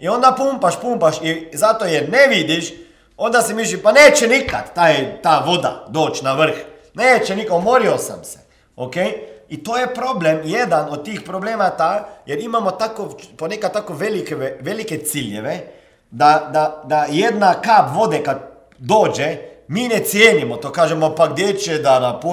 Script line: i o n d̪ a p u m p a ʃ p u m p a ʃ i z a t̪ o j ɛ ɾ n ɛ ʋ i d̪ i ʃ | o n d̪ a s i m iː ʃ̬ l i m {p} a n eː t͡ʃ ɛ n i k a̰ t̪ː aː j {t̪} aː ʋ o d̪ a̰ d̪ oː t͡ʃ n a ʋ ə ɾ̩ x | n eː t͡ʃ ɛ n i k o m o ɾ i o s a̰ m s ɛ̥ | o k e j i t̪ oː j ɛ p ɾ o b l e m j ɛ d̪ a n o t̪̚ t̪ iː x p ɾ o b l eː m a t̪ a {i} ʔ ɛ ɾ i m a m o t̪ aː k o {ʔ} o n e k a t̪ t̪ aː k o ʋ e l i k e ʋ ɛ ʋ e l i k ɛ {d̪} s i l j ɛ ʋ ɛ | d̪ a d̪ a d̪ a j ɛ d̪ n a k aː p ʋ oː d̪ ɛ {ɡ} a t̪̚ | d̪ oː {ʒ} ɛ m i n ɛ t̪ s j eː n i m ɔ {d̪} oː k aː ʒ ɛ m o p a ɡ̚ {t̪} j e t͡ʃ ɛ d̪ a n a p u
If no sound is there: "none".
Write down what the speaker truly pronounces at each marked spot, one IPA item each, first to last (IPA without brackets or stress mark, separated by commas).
p, t̪, j, p, t̪, k, d͡ʒ, t̪, d̪